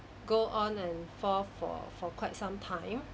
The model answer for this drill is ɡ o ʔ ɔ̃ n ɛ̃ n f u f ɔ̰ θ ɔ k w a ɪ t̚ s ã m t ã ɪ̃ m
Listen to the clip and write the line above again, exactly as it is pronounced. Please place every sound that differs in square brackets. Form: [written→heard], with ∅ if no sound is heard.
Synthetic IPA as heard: ɡ o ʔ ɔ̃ n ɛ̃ n f [u→ɔ] f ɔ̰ [θ→f] ɔ k w a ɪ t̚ s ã m [t→tʰ] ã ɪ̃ m